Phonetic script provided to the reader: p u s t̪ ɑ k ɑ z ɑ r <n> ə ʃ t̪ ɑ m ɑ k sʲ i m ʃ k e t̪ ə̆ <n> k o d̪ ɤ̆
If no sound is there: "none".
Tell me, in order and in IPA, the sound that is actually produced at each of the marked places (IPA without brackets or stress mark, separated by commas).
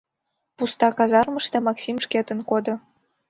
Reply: m, n